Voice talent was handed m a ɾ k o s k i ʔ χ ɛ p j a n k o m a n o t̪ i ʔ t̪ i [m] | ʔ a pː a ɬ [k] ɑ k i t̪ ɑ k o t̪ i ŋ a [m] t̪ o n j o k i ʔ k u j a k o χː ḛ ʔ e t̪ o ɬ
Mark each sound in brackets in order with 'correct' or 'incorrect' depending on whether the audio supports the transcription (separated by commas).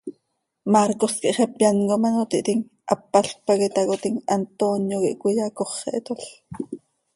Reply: incorrect, incorrect, incorrect